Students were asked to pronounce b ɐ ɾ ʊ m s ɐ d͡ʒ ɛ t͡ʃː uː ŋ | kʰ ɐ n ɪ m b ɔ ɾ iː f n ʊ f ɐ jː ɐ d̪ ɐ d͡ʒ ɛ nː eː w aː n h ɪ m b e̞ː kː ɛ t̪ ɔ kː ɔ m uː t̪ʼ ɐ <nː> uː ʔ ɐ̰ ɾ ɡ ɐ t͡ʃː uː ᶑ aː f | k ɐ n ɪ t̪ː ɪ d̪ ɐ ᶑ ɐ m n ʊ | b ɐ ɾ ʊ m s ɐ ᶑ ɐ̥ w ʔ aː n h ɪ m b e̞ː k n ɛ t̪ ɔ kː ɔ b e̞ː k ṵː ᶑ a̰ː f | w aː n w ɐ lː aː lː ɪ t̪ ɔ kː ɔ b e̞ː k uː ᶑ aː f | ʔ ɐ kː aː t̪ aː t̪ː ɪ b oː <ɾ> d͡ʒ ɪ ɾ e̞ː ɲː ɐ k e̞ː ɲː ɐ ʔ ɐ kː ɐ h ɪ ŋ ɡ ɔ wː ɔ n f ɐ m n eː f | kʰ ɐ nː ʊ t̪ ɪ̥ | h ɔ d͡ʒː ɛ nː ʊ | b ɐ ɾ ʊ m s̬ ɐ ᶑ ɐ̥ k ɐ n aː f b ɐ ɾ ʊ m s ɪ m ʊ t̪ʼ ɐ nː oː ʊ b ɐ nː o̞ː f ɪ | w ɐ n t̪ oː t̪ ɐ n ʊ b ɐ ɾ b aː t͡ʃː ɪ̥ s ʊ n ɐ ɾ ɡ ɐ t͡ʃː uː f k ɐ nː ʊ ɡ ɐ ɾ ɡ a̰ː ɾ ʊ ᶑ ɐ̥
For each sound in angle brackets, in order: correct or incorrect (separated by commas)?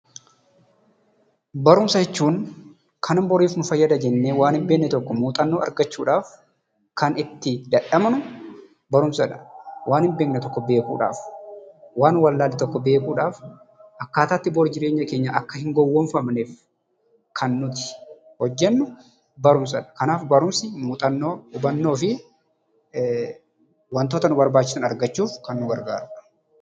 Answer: correct, correct